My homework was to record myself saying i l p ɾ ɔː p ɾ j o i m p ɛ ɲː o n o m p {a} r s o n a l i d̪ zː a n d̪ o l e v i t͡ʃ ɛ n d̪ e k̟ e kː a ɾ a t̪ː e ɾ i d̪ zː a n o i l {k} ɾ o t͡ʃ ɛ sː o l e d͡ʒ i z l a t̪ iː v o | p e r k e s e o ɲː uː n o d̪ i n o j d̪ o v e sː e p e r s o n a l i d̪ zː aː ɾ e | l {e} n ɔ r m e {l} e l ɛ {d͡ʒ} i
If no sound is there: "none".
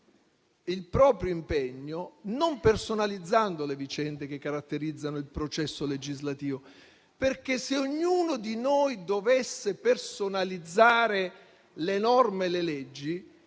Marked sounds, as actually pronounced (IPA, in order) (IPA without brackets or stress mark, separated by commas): e, p, e, l, d͡ʒː